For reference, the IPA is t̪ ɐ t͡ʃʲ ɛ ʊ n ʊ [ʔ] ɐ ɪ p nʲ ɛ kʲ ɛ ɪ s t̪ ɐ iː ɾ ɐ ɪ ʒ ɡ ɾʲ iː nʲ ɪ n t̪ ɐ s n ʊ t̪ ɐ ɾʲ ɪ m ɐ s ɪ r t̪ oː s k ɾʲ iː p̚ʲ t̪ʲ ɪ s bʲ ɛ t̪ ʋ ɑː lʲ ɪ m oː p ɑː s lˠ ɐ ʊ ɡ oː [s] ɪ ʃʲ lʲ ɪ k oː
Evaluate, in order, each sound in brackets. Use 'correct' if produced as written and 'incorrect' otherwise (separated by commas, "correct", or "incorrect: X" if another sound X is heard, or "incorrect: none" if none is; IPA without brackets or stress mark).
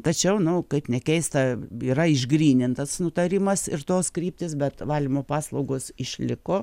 incorrect: k, correct